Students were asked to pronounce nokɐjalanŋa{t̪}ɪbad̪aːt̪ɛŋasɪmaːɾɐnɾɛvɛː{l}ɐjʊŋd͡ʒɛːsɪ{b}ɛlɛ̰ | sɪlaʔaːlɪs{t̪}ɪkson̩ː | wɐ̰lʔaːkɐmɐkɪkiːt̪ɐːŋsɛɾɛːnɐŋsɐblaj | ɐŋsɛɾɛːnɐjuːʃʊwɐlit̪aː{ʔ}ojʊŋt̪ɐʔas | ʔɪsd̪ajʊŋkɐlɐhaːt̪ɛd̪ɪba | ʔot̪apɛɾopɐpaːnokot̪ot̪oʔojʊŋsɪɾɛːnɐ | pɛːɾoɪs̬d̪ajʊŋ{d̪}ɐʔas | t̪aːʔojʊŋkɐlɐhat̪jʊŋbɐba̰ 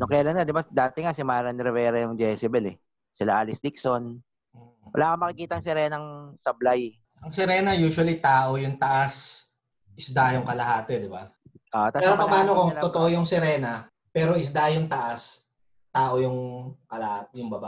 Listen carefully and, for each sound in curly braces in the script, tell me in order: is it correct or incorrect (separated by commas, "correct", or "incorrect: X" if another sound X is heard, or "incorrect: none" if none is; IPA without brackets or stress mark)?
incorrect: d̪, incorrect: ɾ, correct, incorrect: d̪, correct, incorrect: t̪